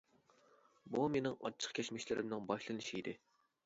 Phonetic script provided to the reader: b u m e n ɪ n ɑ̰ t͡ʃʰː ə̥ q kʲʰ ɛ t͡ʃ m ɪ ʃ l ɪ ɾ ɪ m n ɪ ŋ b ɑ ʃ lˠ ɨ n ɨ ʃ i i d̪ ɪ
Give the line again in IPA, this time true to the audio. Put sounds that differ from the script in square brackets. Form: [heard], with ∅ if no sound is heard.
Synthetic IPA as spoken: b u m e n ɪ [ŋ] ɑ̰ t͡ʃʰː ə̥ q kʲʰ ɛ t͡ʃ m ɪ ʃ l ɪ ɾ ɪ m n ɪ ŋ b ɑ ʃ lˠ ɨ n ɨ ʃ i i d̪ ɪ